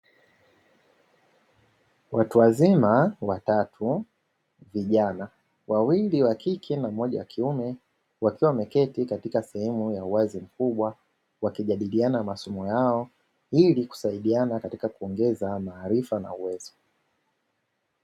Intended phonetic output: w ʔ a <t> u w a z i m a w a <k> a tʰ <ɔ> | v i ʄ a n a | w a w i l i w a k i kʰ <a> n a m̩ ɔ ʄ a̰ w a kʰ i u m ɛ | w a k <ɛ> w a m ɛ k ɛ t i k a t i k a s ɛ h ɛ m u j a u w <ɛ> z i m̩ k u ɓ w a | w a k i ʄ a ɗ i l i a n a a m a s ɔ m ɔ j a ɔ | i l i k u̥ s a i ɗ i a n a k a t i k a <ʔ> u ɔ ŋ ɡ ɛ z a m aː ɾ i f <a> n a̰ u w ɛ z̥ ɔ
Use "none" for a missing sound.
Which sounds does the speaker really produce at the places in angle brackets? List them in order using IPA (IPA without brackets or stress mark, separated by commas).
t, t, u, ɛ, i, a, k, a